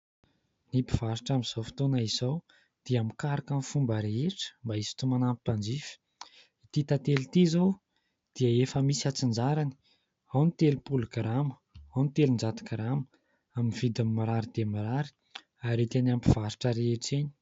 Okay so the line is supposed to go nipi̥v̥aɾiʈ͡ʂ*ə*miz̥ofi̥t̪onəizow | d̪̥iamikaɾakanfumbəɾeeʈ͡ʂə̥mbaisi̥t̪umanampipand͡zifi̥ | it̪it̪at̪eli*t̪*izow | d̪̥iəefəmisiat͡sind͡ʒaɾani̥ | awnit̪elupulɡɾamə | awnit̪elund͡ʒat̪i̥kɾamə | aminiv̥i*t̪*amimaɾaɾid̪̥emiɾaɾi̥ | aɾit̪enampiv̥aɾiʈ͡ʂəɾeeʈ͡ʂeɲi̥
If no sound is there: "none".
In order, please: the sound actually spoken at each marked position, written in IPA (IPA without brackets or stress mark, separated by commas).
a, t̪, d̪